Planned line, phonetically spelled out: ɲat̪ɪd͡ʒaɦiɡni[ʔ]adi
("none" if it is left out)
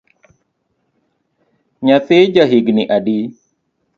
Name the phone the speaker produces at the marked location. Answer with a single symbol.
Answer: ʔ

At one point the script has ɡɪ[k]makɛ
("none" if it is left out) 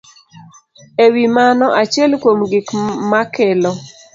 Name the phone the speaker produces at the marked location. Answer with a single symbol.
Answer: k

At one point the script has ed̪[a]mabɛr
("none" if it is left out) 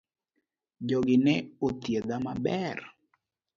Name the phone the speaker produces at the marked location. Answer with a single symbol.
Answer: a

